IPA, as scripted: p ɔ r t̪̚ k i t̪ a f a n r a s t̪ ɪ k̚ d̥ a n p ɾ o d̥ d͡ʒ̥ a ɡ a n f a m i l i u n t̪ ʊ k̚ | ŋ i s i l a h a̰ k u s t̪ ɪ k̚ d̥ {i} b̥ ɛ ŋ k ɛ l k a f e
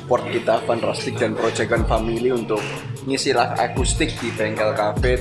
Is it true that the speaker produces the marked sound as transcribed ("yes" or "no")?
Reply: yes